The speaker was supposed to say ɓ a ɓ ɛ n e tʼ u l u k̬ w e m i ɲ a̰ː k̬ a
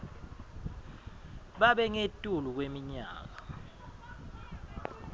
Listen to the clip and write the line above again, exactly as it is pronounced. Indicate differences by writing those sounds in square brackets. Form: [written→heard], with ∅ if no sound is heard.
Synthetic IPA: ɓ a ɓ ɛ [n→ŋ] e tʼ u l u k̬ w e m i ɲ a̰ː k̬ a